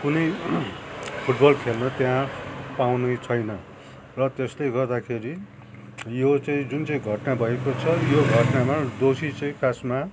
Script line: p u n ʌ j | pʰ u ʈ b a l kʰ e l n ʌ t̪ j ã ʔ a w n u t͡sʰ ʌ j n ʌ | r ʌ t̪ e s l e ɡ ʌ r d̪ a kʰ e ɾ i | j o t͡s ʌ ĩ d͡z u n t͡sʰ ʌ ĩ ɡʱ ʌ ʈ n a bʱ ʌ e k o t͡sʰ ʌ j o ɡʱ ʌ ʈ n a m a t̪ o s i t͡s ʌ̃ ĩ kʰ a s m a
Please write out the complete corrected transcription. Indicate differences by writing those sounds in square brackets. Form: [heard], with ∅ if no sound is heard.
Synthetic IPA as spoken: [k] u n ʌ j | pʰ u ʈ b [ʌ] l kʰ e l n ʌ t̪ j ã [p] a w n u t͡sʰ ʌ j n ʌ | r ʌ t̪ e s l e ɡ ʌ r d̪ a kʰ e ɾ i | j o t͡s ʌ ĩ d͡z u n [t͡s] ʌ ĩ ɡʱ ʌ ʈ n a bʱ ʌ e k o t͡sʰ ʌ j o ɡʱ ʌ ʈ n a m a [d̪] o s i t͡s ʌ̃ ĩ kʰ a s m a